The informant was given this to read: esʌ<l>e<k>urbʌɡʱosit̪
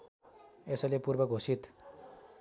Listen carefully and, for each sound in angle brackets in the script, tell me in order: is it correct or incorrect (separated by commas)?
correct, incorrect